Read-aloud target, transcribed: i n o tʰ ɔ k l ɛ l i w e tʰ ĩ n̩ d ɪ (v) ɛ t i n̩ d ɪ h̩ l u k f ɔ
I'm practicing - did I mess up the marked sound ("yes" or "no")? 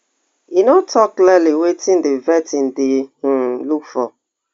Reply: no